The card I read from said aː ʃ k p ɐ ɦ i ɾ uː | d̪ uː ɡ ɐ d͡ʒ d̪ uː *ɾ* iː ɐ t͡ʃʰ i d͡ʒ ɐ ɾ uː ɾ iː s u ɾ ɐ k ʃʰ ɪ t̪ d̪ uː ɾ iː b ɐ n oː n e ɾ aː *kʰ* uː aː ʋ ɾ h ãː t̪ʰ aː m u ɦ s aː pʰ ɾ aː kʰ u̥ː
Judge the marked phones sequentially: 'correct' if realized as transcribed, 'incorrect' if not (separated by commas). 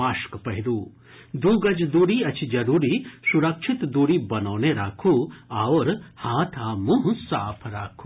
correct, correct